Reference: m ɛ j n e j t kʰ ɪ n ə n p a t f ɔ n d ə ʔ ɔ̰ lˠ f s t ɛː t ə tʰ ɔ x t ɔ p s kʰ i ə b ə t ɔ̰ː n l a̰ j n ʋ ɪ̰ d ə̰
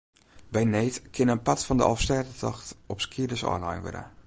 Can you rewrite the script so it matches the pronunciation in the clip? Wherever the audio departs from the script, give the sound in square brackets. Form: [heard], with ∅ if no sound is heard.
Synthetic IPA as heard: [b] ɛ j n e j t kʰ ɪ n ə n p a t f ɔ n d ə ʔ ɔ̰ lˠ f s t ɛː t ə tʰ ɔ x t ɔ p s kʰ i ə [d] ə [s] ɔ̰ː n l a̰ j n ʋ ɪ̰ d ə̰

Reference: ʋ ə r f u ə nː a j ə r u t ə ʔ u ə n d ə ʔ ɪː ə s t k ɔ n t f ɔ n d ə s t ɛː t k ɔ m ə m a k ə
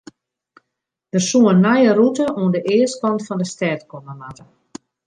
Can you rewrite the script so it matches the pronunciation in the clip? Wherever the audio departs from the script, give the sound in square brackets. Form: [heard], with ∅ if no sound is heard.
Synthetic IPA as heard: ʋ ə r [s] u ə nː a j ə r u t ə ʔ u ə n d ə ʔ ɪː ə s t k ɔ n t f ɔ n d ə s t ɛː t k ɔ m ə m a [t] ə

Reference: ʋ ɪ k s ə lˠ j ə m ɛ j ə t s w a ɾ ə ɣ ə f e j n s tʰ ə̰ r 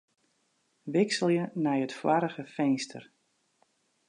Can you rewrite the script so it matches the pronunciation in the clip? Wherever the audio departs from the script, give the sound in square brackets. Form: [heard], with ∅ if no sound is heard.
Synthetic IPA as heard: ʋ ɪ k s ə lˠ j ə [n] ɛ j ə t [f] w a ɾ ə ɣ ə f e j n s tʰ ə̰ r

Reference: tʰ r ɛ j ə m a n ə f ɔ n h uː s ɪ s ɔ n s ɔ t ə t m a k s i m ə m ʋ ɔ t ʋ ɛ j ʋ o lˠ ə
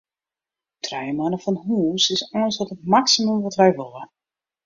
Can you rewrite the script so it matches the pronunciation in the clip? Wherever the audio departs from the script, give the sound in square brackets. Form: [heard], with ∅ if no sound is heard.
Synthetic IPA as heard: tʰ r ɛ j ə m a n ə f ɔ n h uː s ɪ s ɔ n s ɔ t ə t m a k s i m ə m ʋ ɔ t ʋ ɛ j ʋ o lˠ ə

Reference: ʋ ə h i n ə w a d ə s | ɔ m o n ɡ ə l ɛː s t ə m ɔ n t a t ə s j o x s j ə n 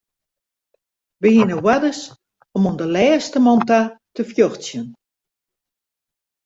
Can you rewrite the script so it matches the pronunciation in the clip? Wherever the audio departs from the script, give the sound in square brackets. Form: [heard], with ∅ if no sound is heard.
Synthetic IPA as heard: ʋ ə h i n ə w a d ə s | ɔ m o n [d] ə l ɛː s t ə m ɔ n t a t ə [f] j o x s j ə n

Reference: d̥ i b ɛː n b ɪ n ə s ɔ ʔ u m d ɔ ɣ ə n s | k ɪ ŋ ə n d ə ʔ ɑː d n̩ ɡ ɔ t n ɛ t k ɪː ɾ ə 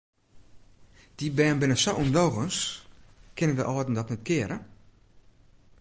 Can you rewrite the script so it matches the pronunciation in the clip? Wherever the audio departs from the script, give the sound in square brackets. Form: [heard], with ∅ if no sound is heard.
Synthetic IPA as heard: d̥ i b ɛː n b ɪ n ə s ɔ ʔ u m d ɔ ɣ ə n s | k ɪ [n] ə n d ə ʔ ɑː d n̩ [d] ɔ t n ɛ t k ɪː ɾ ə

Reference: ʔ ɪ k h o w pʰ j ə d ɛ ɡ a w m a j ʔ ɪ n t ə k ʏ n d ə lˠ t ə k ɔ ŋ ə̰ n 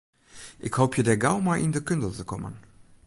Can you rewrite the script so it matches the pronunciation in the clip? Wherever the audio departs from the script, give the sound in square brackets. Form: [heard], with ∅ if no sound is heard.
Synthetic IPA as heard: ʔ ɪ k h o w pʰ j ə d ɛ ɡ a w m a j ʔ ɪ n [d] ə k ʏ n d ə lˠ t ə k ɔ [m] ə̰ n

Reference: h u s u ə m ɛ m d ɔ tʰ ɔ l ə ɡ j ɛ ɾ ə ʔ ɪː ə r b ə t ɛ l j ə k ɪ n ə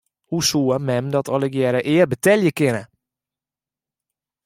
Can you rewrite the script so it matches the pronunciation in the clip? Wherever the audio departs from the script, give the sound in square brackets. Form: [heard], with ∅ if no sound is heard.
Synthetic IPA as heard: h u s u ə m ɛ m d ɔ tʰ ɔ l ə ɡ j ɛ ɾ ə ʔ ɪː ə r b ə t ɛ l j ə k ɪ n ə

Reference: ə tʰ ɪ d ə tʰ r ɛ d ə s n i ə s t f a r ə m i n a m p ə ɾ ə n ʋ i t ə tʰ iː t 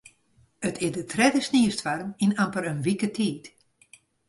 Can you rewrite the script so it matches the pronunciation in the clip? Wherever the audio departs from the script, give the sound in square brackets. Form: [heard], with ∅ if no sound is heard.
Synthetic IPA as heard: ə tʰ ɪ d ə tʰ r ɛ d ə s n i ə s t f a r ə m i n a m p ə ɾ ə n ʋ i [k] ə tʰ iː t

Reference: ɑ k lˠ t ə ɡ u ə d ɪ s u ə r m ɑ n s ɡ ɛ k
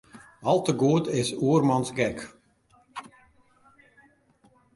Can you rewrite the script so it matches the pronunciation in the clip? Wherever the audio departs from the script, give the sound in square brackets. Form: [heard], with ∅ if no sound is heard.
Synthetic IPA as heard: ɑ [∅] lˠ t ə ɡ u ə [t] ɪ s u ə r m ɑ n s ɡ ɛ k

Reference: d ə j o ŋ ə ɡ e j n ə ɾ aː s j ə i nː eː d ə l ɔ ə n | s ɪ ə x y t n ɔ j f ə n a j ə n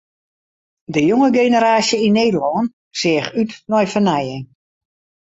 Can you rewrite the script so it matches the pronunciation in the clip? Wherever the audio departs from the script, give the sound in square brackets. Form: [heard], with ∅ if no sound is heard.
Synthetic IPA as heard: d ə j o ŋ ə ɡ e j n ə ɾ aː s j ə i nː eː d ə l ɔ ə n | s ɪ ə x y t n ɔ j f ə n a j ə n

